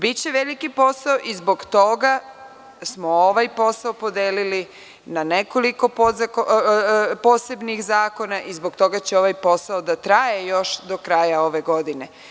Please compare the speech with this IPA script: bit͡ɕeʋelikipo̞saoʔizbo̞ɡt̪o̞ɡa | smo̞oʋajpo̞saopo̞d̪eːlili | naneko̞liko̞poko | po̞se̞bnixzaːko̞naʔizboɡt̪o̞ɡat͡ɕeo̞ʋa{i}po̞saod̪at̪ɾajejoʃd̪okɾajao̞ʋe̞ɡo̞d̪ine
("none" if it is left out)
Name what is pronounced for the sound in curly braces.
j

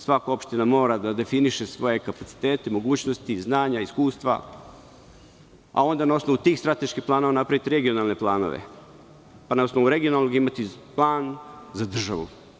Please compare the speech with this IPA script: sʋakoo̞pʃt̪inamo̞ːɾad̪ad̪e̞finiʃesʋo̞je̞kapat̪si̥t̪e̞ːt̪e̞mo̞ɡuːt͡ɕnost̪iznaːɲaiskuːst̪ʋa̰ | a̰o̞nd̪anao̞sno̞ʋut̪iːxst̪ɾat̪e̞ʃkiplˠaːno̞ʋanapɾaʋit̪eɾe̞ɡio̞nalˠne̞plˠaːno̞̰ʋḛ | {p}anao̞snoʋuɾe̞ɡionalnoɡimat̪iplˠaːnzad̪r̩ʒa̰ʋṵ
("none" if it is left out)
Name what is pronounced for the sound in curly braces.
p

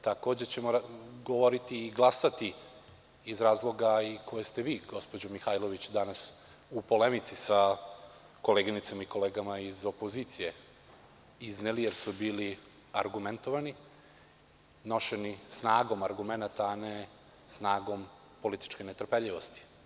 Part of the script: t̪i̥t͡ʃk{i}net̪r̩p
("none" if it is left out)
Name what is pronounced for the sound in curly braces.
e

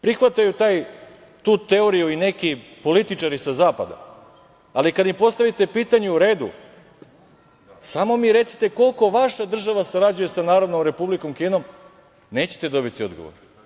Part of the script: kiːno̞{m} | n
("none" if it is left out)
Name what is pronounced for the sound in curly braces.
m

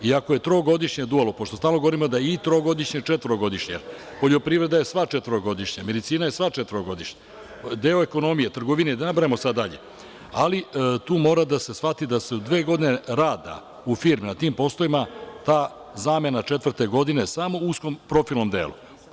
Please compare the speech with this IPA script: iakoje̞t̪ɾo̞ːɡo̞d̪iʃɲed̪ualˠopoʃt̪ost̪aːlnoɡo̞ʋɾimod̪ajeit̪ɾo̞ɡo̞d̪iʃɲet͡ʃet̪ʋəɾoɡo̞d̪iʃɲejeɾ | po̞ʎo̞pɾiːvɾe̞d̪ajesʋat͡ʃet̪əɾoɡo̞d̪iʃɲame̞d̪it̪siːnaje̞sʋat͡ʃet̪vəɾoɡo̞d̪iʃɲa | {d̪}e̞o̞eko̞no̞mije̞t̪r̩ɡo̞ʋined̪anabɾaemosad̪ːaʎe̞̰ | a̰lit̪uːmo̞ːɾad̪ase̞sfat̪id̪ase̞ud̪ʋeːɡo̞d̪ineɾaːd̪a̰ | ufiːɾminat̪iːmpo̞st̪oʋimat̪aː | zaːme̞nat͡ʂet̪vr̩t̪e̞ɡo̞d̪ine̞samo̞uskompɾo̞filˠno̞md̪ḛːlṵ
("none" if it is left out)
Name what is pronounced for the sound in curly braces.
d̪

